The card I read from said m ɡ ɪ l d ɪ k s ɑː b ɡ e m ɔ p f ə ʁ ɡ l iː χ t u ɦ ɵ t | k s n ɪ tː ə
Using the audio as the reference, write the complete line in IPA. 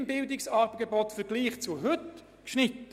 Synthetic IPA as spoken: m b ɪ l d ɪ k s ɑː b ɡ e b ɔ t f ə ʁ ɡ l iː χ t͡s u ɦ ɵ t | k ʃ n ɪ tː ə